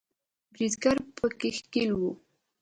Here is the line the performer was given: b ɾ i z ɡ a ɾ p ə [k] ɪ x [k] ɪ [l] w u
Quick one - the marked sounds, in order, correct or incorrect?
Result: correct, correct, correct

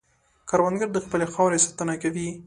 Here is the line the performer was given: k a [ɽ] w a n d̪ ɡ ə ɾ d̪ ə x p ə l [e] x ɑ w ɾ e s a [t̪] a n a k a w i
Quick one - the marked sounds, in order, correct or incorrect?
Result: incorrect: ɾ, correct, correct

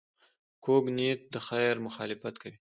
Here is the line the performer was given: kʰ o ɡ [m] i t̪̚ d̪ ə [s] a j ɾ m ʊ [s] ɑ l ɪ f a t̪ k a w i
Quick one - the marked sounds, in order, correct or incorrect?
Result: incorrect: n, incorrect: x, incorrect: x

